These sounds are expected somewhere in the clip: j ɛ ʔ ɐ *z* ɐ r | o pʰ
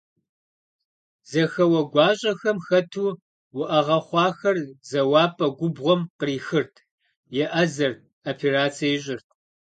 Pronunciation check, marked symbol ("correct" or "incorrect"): correct